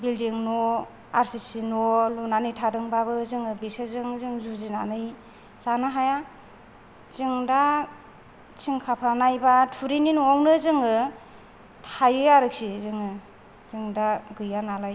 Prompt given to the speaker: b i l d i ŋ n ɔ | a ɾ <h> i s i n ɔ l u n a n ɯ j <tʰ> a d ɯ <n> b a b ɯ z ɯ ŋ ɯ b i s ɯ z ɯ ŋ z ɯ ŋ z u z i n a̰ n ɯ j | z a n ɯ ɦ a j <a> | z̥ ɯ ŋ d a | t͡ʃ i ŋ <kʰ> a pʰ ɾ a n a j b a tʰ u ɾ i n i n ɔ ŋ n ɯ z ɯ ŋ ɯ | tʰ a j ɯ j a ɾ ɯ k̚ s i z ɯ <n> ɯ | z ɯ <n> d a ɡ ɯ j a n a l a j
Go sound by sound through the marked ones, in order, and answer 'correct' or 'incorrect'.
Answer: incorrect: s, correct, incorrect: ŋ, correct, correct, incorrect: ŋ, incorrect: ŋ

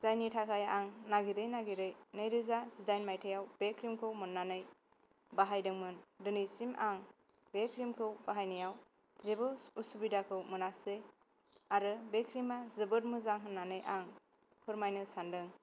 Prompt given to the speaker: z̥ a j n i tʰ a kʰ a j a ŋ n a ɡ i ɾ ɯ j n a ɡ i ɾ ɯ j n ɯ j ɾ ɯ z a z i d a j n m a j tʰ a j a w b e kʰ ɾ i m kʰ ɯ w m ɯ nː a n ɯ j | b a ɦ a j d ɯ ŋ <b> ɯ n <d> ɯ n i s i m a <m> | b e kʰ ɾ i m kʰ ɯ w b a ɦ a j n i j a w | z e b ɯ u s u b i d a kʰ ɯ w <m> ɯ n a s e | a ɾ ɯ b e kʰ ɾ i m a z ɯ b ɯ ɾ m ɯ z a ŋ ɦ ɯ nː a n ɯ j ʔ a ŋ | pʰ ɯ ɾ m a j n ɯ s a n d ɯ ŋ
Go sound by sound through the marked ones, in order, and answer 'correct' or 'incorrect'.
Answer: incorrect: m, correct, incorrect: ŋ, correct

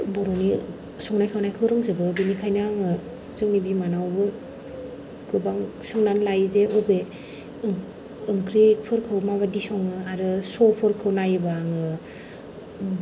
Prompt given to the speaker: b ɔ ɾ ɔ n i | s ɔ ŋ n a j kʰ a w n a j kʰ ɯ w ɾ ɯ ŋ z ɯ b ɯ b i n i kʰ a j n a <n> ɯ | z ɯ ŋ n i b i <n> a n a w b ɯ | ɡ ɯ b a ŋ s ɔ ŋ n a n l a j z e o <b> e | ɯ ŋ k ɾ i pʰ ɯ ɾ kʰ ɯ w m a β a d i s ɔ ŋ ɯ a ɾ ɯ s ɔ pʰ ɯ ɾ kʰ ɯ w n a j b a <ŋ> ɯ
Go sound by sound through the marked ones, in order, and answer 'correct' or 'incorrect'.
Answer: incorrect: ŋ, incorrect: m, correct, correct

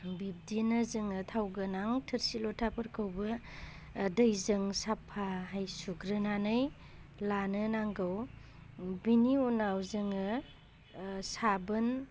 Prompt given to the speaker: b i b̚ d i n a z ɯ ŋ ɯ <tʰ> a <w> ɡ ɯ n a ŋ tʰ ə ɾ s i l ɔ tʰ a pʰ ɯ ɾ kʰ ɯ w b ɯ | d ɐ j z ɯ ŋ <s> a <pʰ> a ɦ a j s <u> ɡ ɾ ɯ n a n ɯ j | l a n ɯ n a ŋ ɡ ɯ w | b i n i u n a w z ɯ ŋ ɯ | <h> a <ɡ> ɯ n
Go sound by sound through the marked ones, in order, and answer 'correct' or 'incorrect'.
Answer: correct, correct, correct, correct, correct, incorrect: s, incorrect: b

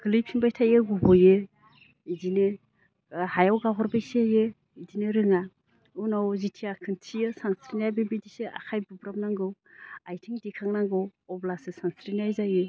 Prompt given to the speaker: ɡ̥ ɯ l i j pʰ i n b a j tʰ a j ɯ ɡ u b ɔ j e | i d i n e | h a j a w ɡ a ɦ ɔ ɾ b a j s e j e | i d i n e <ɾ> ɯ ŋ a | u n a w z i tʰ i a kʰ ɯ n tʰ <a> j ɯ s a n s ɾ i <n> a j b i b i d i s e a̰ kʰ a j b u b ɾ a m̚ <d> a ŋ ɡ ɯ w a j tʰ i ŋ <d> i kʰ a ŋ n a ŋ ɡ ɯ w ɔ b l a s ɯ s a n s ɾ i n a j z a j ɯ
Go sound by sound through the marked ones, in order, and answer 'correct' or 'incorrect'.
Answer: correct, incorrect: i, correct, incorrect: n, correct

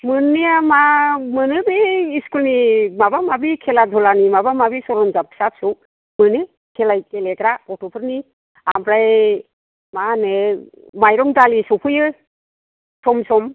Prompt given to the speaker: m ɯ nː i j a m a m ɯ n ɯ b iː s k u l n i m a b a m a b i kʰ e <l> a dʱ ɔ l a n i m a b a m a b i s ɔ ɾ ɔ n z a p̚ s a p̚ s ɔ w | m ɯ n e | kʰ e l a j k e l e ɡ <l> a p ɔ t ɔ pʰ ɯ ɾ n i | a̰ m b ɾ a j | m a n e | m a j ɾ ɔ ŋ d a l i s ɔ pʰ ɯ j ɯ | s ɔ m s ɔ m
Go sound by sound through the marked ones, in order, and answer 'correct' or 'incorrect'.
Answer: correct, incorrect: ɾ

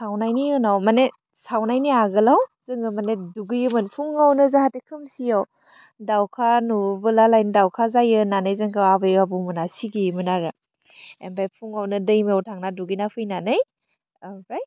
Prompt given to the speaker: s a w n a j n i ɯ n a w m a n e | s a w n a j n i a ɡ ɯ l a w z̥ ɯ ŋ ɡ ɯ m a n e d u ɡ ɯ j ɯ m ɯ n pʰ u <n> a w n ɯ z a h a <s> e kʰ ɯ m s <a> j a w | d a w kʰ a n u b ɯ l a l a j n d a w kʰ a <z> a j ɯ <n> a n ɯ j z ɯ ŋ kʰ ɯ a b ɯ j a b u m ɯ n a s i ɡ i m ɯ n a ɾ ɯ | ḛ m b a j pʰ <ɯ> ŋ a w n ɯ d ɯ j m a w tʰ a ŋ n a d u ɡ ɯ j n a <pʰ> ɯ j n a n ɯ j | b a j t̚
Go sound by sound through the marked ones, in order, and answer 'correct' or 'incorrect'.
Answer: incorrect: ŋ, incorrect: t, incorrect: i, correct, correct, incorrect: u, correct

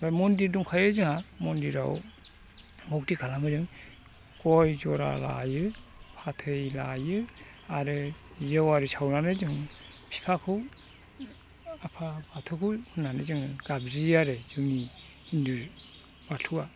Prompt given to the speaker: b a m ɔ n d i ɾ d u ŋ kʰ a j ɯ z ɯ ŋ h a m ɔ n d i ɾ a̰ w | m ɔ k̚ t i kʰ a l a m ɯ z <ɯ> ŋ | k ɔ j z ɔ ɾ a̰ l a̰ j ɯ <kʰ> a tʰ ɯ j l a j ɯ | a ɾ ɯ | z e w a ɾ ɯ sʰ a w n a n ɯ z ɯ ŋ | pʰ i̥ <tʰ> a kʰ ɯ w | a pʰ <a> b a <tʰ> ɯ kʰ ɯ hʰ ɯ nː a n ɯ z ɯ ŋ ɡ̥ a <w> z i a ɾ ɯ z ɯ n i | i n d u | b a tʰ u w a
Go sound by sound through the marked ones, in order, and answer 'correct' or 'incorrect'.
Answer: correct, incorrect: pʰ, incorrect: pʰ, correct, correct, incorrect: b

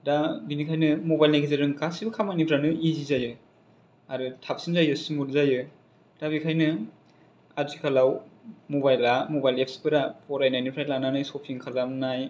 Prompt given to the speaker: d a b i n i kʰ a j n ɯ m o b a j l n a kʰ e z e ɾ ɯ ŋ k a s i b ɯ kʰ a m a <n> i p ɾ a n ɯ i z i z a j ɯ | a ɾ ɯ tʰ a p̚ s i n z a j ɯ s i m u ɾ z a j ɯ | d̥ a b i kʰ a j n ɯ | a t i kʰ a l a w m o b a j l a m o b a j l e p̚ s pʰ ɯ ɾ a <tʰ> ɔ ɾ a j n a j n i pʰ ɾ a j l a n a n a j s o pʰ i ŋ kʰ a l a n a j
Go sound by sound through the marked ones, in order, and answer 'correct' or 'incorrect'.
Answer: correct, incorrect: pʰ

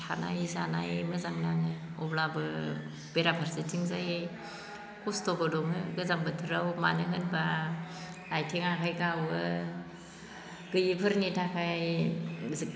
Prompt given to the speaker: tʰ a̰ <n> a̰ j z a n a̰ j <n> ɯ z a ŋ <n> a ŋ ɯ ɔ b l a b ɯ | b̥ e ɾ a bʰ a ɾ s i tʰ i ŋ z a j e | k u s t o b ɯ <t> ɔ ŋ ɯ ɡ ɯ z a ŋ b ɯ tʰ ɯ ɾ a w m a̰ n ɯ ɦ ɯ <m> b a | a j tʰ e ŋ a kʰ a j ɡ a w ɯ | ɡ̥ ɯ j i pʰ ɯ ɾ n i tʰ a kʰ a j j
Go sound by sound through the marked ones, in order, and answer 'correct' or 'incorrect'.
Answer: correct, incorrect: m, correct, incorrect: d, incorrect: n

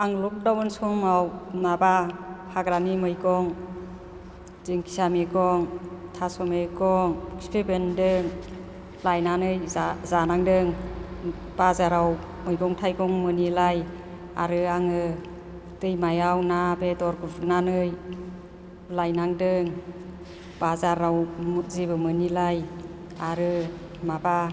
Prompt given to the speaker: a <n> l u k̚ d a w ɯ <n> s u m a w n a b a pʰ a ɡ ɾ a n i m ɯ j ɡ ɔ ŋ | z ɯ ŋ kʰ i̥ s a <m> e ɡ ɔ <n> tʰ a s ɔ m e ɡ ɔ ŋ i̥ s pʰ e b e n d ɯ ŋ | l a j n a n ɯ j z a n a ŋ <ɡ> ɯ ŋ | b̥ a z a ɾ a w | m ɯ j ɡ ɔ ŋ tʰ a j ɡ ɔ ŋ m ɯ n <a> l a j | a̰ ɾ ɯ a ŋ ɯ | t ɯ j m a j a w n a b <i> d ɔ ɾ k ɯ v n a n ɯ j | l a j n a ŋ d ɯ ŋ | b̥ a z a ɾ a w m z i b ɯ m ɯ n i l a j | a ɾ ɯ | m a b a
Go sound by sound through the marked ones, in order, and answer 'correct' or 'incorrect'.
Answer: incorrect: ŋ, correct, correct, incorrect: ŋ, incorrect: d, incorrect: i, incorrect: e

